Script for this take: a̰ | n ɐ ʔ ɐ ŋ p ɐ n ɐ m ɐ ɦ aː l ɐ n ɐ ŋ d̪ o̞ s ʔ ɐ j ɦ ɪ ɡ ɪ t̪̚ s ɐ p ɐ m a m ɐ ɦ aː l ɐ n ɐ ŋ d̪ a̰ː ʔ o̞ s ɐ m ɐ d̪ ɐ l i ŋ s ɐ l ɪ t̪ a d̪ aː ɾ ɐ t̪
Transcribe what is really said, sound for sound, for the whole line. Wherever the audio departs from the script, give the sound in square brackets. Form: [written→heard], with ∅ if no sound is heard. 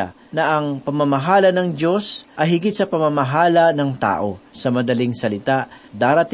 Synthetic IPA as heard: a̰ | n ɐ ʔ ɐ ŋ p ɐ [n→m] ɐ m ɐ ɦ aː l ɐ n ɐ ŋ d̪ o̞ s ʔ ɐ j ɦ ɪ ɡ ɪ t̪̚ s ɐ p ɐ m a m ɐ ɦ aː l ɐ n ɐ ŋ [d̪→t̪] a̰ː ʔ o̞ s ɐ m ɐ d̪ ɐ l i ŋ s ɐ l ɪ t̪ a d̪ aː ɾ ɐ t̪